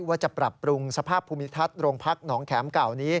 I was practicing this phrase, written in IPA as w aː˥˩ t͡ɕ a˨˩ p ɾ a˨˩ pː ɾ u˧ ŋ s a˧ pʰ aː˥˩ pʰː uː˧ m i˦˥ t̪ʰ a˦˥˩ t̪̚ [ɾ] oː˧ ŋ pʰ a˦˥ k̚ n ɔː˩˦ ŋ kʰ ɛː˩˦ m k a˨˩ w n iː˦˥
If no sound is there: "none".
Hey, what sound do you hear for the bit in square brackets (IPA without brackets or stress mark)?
ɾ